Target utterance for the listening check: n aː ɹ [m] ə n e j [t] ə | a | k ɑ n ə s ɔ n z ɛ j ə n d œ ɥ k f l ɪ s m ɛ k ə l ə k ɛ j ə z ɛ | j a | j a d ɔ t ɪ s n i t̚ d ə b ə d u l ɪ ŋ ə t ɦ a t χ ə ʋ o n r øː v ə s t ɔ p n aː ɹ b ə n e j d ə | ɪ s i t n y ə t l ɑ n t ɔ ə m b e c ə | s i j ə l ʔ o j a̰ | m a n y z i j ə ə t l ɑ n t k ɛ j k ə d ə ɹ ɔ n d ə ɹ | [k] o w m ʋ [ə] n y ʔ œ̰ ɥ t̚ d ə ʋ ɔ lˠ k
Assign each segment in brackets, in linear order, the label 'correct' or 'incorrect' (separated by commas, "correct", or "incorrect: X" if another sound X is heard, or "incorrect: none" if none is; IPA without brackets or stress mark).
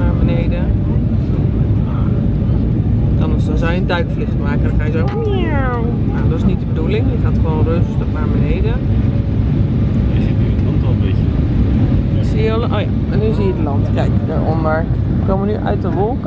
incorrect: b, incorrect: d, correct, correct